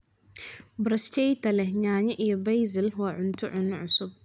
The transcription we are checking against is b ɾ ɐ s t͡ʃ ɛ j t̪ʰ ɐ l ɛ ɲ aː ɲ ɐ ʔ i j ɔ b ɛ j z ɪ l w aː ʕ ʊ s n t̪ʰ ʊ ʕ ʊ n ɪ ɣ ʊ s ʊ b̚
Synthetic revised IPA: b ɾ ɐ s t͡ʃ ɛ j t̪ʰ ɐ l ɛ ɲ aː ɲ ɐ ʔ i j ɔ b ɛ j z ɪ l w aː ʕ ʊ n t̪ʰ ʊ ʕ ʊ n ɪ ʕ ʊ s ʊ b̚

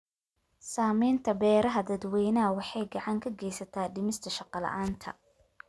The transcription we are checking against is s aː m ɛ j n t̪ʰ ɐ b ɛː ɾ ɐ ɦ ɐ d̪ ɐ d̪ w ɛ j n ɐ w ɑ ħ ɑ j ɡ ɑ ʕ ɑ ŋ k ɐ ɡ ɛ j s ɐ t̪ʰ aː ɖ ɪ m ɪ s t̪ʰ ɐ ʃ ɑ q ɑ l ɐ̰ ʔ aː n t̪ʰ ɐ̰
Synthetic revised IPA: s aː m ɛ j n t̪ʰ ɐ b ɛː ɾ ɐ ɦ ɐ d̪ ɐ d̪ w ɛ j n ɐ w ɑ ħ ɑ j ɡ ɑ ʕ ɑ ŋ kʰ ɐ ɡ ɛ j s ɐ t̪ʰ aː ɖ ɪ m ɪ s t̪ʰ ɐ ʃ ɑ q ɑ l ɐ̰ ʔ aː n t̪ʰ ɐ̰

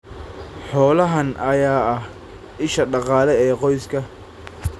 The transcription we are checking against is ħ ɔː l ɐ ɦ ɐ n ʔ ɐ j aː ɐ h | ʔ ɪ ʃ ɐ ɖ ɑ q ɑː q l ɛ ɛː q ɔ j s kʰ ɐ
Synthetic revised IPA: ħ ɔː l ɐ ɦ ɐ n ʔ ɐ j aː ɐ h | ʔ ɪ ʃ ɐ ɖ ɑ q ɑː l ɛ ɛː q ɔ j s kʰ ɐ

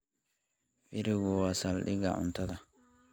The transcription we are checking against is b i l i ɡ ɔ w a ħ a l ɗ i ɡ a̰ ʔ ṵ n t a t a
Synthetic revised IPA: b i ɾ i ɡ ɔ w a s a l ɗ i ɡ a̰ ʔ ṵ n t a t a

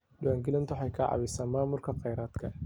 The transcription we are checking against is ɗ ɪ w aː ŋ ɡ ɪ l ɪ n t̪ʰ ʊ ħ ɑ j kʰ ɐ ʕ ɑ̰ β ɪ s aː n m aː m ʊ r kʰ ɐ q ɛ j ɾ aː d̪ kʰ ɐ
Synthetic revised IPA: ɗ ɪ w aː ŋ ɡ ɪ l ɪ n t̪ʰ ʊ ħ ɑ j kʰ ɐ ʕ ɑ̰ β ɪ s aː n m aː m ʊ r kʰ ɐ q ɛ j ɾ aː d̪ kʰ ɐ

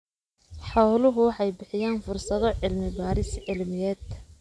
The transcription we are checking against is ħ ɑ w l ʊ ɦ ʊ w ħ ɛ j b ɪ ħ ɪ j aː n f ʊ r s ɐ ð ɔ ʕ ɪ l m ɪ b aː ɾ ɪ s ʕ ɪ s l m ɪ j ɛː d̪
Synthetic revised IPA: ħ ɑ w l ʊ ɦ ʊ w ħ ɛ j b ɪ ħ ɪ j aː n f ʊ r s ɐ ð ɔ ʕ ɪ l m ɪ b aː ɾ ɪ s ʕ ɪ l m ɪ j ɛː d̪

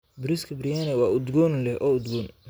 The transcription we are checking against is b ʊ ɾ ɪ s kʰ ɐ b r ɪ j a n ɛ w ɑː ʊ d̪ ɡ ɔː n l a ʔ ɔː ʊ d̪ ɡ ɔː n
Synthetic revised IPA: b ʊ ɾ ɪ s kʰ ɐ b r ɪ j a n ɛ w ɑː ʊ d̪ ɡ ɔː n l ɛ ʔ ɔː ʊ d̪ ɡ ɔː n

